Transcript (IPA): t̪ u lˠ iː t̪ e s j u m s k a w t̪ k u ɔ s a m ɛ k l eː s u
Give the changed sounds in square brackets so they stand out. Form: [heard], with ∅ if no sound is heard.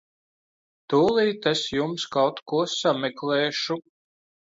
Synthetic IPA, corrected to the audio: t̪ [uː] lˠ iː t̪ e s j u m s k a w t̪ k u ɔ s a m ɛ k l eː [ʃ] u